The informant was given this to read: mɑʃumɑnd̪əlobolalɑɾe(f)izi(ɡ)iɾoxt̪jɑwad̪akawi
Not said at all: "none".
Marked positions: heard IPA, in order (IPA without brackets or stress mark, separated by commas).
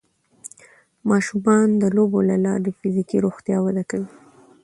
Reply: f, k